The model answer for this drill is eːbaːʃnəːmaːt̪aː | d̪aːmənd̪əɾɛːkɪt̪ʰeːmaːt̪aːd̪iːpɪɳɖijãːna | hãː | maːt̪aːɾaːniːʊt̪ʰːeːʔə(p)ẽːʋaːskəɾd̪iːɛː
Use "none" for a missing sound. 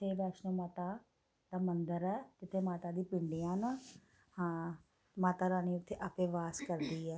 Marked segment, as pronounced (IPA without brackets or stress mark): p